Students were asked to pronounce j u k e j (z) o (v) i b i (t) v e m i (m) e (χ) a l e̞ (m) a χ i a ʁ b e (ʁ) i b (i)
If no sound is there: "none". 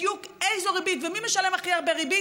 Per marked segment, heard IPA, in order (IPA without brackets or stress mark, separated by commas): z, ʁ, t, m, ʃ, m, ʁ, i